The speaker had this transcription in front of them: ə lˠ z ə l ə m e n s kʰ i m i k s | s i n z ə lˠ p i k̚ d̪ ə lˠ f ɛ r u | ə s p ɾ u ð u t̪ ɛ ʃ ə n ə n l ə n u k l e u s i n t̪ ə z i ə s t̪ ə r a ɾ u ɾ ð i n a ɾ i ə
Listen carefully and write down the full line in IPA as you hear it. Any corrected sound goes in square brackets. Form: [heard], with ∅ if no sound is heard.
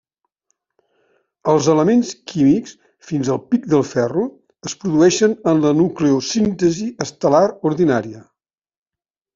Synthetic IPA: ə lˠ z ə l ə m e n s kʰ i m i k s | [f] i n z ə lˠ p i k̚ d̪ ə lˠ f ɛ r u | ə s p ɾ u ð u [∅] ɛ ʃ ə n ə n l ə n u k l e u s i n t̪ ə z i ə s t̪ ə [l] a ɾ u ɾ ð i n a ɾ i ə